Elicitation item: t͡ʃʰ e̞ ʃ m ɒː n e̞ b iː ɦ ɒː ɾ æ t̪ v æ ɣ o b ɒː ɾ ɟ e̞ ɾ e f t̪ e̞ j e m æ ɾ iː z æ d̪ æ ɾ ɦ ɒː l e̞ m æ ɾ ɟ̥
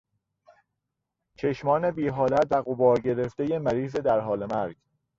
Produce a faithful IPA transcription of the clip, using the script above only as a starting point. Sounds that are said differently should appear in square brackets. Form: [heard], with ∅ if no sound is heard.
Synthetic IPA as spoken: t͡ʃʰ e̞ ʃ m ɒː n e̞ b iː ɦ ɒː [l] æ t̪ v æ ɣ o b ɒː ɾ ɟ e̞ ɾ e f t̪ e̞ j e m æ ɾ iː z [e] d̪ æ ɾ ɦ ɒː l e̞ m æ ɾ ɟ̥